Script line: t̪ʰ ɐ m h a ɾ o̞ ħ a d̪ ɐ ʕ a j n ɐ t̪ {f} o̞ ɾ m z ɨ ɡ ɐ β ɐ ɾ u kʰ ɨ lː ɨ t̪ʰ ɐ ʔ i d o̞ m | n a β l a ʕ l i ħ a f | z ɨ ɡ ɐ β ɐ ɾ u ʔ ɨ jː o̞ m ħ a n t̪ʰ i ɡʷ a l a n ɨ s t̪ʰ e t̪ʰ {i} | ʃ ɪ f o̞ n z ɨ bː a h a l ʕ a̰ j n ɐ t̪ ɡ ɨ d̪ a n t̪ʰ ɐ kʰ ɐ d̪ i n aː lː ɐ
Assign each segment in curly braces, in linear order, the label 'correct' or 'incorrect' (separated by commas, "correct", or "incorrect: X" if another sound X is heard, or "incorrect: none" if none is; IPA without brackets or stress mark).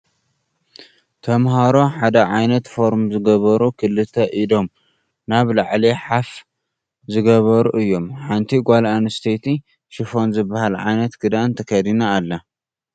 correct, correct